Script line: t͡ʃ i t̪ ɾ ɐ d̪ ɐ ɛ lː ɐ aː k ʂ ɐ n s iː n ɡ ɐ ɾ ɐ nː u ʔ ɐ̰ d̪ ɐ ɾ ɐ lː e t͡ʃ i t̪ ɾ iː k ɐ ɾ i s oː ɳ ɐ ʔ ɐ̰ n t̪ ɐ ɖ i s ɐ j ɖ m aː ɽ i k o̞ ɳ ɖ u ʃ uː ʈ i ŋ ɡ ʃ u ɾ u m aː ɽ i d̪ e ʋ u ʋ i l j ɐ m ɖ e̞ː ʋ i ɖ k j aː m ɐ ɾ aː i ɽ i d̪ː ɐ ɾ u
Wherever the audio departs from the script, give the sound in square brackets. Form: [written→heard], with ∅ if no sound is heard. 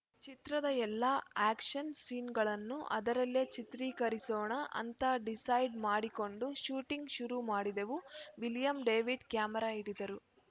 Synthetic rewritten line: t͡ʃ i t̪ ɾ ɐ d̪ ɐ ɛ lː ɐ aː k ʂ ɐ n s iː n ɡ ɐ [ɾ→ɭ] ɐ nː u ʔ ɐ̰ d̪ ɐ ɾ ɐ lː e t͡ʃ i t̪ ɾ iː k ɐ ɾ i s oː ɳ ɐ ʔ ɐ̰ n t̪ ɐ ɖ i s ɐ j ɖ m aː ɽ i k o̞ ɳ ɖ u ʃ uː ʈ i ŋ ɡ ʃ u ɾ u m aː ɽ i d̪ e ʋ u ʋ i l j ɐ m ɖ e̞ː ʋ i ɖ k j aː m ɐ ɾ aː i ɽ i [d̪ː→d̪] ɐ ɾ u